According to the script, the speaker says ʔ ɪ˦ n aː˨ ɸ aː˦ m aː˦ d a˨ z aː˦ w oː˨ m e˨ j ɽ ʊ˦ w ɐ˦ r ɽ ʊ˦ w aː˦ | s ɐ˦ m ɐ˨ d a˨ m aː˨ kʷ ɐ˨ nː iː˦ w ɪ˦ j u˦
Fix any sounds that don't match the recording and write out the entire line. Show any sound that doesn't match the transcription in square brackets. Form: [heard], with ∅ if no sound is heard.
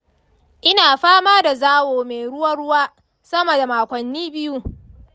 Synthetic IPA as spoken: ʔ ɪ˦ n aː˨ ɸ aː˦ m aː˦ d a˨ z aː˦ w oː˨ m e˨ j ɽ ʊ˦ w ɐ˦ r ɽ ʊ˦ w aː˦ | s ɐ˦ m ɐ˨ d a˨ m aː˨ kʷ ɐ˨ nː iː˦ [b] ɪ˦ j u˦